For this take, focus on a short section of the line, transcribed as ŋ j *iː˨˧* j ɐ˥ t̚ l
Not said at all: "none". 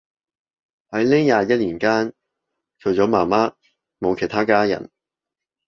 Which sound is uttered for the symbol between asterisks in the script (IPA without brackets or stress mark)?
aː˨˧